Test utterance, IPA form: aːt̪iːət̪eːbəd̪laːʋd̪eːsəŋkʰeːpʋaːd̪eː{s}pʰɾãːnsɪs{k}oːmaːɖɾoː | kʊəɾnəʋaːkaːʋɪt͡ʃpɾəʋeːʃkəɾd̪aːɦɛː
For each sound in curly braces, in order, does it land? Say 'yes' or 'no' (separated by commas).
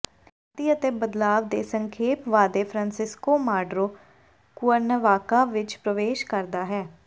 no, yes